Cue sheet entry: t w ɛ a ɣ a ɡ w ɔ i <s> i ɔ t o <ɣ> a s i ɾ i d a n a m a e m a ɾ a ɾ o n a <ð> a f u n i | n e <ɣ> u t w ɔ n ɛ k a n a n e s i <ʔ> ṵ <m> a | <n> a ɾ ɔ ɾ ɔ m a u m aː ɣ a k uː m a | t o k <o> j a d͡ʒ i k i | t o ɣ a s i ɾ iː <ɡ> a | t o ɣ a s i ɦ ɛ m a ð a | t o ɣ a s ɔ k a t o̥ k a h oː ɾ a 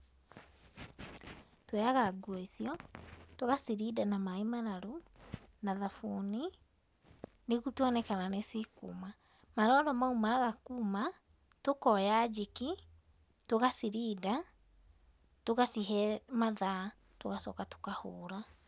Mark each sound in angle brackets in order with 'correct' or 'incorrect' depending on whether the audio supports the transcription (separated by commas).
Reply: correct, correct, correct, correct, incorrect, correct, incorrect, incorrect, incorrect